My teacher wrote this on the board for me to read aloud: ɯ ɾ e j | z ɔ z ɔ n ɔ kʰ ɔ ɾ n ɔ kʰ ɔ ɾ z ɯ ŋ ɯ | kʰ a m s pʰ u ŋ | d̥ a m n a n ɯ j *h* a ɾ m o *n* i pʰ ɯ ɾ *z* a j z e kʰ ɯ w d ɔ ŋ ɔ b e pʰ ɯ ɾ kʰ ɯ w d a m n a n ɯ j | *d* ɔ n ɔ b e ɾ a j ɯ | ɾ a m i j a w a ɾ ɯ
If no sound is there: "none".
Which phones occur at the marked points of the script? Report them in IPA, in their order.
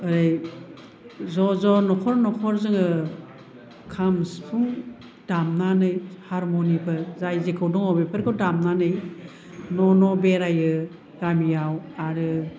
h, n, z, n

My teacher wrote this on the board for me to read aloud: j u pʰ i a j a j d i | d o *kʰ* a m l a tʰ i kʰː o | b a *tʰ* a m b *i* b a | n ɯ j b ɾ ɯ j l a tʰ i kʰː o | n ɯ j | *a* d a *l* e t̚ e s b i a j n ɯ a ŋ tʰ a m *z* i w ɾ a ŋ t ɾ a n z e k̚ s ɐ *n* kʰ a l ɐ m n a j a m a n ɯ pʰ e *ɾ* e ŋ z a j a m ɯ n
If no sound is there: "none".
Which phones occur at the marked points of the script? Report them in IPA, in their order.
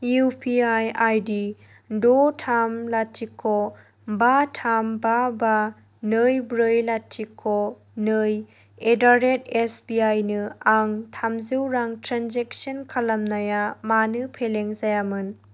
tʰ, tʰ, a, e, ɾ, z, n, l

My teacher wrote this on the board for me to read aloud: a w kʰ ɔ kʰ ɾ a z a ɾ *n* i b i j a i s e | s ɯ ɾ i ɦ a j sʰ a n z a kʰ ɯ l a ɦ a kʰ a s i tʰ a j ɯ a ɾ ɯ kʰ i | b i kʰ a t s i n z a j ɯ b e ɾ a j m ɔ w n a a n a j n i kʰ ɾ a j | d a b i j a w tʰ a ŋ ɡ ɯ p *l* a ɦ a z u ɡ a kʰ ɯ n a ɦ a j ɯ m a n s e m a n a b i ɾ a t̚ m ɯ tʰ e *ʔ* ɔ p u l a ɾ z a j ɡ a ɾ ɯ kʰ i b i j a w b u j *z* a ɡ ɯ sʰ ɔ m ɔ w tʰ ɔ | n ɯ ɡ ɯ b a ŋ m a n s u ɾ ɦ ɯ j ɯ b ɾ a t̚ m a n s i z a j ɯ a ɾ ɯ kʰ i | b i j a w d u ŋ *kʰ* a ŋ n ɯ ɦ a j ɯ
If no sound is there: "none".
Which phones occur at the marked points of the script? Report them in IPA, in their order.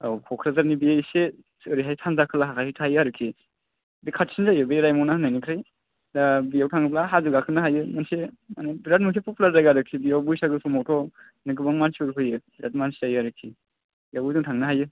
n, l, p, s, tʰ

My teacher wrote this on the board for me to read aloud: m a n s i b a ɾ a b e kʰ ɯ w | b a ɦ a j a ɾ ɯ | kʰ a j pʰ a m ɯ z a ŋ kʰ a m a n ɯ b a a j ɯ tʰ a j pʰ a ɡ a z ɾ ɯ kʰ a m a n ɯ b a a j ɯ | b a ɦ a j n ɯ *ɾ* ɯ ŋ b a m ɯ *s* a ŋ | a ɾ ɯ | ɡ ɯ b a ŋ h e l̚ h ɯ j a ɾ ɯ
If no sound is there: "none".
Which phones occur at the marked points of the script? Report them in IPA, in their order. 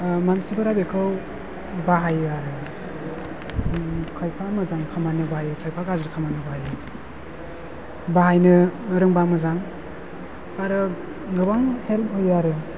ɾ, z

